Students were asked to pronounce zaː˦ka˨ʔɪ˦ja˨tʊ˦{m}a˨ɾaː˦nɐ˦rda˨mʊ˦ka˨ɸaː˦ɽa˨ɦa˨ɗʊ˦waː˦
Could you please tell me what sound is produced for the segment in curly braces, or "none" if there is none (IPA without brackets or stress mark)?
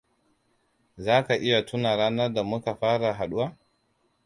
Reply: n